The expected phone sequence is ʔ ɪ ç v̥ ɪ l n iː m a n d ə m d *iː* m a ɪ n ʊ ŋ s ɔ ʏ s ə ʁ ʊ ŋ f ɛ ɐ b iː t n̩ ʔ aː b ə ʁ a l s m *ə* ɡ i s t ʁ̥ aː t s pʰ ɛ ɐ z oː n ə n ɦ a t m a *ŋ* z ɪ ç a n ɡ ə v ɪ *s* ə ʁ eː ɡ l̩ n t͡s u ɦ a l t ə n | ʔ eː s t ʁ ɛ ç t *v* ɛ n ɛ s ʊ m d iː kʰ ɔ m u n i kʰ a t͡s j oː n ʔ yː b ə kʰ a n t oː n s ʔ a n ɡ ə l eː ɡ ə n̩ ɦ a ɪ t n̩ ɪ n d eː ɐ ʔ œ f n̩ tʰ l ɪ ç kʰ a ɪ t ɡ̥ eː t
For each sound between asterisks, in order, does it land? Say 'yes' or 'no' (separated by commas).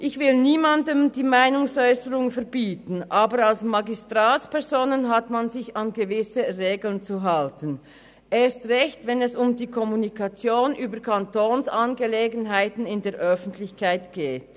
yes, no, no, yes, yes